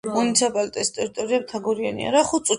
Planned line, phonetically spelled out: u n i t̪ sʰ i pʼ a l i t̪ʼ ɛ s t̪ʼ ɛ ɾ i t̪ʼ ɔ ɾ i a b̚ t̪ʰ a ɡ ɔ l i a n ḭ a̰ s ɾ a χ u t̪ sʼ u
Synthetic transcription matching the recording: u n i t̪ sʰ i pʼ a l i t̪ʼ ɛ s t̪ʼ ɛ ɾ i t̪ʼ ɔ ɾ i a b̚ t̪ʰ a ɡ ɔ ɾ i a n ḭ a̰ ɾ a χ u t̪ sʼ u